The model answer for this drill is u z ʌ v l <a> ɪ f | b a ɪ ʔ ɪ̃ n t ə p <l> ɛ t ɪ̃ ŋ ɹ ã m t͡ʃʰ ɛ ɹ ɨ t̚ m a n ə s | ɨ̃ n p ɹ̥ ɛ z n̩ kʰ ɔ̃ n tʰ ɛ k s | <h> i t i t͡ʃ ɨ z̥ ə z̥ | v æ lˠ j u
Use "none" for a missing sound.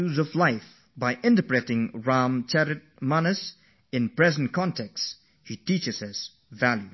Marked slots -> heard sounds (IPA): a, ɹ, h

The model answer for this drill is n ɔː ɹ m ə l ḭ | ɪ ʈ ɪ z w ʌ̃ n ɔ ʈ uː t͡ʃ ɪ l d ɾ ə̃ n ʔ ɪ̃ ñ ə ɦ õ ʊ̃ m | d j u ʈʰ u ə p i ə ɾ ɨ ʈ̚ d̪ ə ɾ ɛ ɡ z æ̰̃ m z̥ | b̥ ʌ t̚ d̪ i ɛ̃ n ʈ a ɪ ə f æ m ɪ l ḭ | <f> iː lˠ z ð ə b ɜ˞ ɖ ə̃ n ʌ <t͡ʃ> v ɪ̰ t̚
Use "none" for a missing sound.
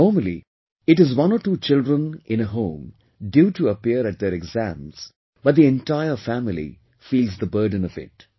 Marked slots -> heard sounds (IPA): f, none

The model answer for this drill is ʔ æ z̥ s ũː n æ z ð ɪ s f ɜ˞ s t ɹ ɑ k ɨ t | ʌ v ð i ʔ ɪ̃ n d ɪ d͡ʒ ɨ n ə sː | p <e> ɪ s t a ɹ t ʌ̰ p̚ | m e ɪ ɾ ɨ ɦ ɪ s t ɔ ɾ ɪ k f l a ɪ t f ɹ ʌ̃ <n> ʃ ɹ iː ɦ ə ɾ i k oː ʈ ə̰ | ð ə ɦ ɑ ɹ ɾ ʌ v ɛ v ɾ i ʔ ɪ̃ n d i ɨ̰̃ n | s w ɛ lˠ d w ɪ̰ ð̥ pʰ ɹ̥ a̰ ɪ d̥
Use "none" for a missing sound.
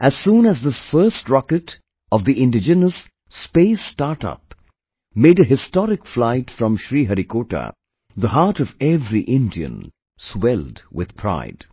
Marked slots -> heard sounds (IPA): e, m

